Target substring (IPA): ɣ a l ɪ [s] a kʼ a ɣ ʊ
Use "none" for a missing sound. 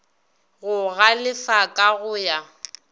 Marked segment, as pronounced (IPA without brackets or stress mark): f